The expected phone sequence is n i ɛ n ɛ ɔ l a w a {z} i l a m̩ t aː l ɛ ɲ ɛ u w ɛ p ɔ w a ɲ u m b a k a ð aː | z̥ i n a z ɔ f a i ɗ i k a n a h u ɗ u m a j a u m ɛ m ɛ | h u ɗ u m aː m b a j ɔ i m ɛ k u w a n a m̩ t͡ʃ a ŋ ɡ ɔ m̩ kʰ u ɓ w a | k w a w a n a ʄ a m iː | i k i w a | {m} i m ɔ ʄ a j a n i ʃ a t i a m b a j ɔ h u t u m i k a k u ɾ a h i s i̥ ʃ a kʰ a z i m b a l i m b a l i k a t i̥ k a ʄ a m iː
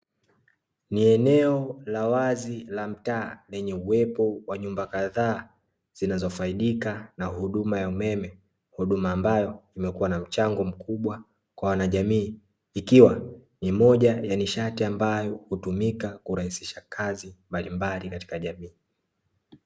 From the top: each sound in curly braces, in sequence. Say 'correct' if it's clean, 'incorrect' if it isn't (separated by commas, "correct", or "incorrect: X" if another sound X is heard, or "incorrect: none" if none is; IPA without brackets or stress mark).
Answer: correct, incorrect: n